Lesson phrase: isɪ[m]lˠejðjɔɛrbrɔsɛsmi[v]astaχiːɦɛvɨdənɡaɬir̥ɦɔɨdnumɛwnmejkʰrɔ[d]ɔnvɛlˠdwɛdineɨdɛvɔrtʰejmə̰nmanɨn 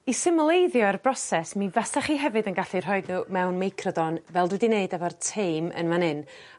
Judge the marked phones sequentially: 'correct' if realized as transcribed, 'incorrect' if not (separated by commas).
correct, correct, correct